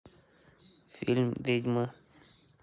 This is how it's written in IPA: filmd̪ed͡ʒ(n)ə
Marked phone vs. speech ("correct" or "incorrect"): incorrect